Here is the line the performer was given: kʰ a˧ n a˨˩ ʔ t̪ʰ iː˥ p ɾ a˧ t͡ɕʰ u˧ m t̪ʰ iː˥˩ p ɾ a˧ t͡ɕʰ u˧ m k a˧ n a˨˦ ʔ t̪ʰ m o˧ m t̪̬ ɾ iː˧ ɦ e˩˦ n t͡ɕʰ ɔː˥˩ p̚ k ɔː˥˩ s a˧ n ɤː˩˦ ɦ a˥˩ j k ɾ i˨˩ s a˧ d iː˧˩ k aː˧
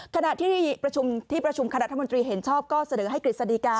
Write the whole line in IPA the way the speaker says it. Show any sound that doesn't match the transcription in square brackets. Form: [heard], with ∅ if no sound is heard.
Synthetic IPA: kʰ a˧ n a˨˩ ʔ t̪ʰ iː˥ p ɾ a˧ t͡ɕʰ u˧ m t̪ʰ iː˥˩ p ɾ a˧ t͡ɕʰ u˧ m k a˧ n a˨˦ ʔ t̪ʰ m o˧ [n] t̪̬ ɾ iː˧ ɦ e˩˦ n t͡ɕʰ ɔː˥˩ p̚ k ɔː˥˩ s a˧ n ɤː˩˦ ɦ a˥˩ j k ɾ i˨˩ s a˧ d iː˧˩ k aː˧